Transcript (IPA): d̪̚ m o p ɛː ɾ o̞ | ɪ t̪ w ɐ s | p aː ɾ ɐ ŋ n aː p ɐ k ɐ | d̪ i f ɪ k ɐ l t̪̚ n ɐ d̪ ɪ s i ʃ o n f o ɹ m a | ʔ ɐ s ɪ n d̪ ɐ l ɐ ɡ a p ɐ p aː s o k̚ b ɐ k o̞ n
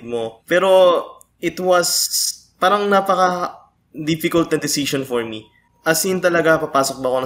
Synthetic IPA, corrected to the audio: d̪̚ m o p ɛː ɾ o̞ | ɪ t̪ w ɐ s | p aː ɾ ɐ ŋ n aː p ɐ k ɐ | d̪ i f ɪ k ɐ l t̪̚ n ɐ d̪ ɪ s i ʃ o n f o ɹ m i | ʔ ɐ s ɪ n t̪ ɐ l ɐ ɡ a p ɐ p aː s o k̚ b ɐ k o̞ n